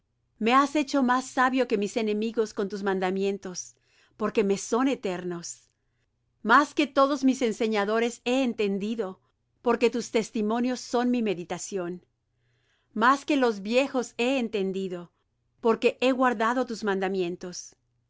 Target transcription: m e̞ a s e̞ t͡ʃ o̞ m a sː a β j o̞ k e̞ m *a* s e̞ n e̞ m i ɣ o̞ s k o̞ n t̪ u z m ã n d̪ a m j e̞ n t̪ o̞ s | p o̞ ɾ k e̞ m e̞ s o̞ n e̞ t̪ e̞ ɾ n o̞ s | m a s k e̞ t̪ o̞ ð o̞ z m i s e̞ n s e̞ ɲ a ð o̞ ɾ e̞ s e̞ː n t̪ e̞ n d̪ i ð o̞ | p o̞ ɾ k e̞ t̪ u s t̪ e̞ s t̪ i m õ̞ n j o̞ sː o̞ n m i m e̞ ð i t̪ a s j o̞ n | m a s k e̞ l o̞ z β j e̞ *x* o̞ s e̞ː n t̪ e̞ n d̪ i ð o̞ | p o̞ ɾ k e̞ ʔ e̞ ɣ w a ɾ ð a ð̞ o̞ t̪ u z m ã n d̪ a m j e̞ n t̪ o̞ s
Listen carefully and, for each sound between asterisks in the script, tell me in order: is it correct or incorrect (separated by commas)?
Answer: incorrect, correct